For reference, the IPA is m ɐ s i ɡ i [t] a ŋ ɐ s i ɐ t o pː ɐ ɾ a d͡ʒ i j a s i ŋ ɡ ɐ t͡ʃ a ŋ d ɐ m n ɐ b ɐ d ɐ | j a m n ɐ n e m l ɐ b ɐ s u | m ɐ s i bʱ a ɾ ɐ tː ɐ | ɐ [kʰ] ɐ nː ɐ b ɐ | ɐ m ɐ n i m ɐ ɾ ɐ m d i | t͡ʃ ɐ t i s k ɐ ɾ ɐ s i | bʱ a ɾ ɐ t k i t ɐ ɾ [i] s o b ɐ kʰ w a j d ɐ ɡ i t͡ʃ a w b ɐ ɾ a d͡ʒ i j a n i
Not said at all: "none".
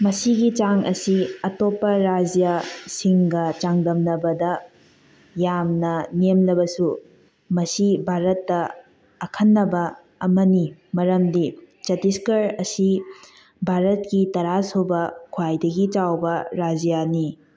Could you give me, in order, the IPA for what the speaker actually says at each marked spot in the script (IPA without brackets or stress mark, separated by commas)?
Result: t͡ʃ, kʰ, a